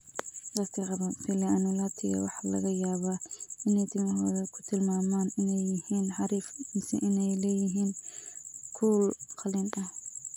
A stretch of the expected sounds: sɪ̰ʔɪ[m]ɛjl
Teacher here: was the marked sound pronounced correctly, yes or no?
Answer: no